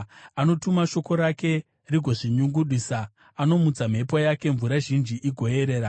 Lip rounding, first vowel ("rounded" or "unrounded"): unrounded